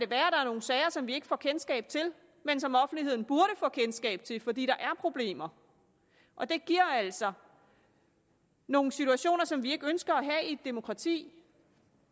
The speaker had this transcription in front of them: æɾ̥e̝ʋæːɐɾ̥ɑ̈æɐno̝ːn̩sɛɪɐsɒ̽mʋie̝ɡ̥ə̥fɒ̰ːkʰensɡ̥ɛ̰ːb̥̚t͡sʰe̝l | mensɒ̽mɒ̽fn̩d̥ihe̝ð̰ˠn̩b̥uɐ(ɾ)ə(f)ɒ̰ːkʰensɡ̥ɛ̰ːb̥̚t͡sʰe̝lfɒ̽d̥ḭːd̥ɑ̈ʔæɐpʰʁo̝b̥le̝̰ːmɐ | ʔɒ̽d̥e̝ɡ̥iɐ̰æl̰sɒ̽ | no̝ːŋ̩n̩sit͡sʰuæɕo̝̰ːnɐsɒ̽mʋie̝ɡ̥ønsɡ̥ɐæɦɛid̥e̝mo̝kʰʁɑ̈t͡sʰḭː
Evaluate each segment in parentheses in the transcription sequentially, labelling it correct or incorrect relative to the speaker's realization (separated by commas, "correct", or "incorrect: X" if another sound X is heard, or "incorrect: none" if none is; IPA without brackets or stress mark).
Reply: correct, correct